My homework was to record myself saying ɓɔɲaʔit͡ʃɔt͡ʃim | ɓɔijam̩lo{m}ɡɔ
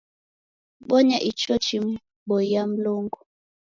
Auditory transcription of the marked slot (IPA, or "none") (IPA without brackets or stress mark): ŋ